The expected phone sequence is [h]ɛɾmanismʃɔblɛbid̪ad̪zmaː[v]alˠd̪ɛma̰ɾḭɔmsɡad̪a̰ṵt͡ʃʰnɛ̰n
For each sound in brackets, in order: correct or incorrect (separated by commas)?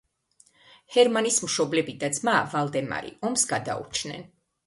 correct, correct